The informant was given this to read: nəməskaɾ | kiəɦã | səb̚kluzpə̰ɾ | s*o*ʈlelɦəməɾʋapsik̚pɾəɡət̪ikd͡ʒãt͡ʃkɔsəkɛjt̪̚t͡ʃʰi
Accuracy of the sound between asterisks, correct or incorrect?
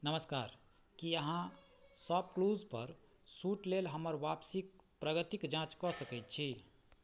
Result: incorrect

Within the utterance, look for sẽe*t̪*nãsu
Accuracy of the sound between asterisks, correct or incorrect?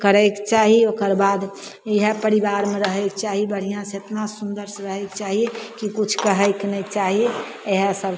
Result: correct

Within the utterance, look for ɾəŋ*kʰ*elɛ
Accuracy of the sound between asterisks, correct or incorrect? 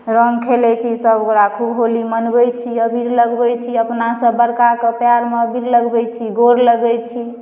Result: correct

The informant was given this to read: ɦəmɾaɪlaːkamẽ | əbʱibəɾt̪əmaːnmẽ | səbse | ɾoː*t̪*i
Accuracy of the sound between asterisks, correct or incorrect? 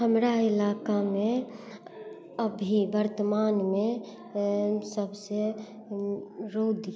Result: incorrect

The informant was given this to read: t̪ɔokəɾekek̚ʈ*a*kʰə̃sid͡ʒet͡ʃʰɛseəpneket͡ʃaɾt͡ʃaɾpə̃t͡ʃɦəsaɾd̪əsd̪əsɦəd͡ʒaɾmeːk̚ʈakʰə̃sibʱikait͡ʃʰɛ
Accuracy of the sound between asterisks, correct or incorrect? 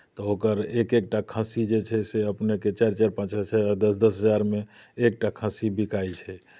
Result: correct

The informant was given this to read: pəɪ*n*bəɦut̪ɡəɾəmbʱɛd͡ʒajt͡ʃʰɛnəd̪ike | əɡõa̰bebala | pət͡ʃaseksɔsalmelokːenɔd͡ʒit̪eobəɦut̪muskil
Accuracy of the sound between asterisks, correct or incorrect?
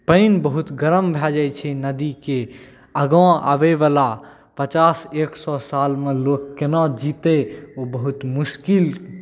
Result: correct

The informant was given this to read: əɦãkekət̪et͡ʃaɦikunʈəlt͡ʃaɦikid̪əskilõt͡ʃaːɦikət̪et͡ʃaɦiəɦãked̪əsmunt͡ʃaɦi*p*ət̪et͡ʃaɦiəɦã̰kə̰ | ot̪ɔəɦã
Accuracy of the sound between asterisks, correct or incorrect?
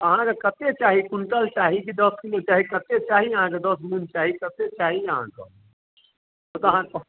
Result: incorrect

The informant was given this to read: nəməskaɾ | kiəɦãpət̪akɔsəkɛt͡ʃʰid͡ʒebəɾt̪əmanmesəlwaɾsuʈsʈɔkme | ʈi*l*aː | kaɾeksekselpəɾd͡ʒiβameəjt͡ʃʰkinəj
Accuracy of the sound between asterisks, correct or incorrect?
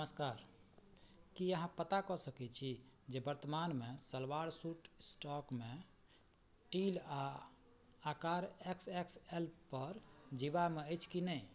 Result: correct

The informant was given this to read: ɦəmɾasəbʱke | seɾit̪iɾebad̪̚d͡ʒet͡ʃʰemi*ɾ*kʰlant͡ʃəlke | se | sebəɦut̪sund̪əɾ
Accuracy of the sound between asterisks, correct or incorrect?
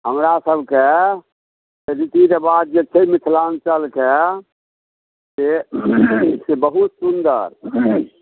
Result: incorrect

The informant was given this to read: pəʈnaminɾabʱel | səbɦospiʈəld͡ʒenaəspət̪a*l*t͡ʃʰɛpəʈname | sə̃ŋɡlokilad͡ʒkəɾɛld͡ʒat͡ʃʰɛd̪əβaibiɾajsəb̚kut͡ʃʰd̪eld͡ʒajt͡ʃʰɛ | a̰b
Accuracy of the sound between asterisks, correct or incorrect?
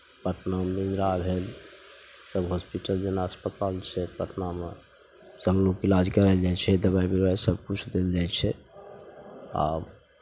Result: correct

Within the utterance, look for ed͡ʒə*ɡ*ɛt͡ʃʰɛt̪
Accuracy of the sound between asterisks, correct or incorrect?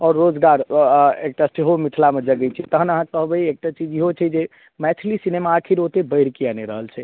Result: correct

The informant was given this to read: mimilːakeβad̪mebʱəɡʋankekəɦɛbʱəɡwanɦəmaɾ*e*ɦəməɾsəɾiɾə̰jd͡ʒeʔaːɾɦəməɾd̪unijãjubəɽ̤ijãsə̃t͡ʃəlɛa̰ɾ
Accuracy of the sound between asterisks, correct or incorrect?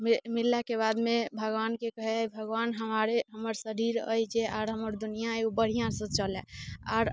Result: correct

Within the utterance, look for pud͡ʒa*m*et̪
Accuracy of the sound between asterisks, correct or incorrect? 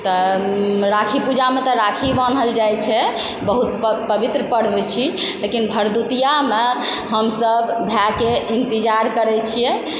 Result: correct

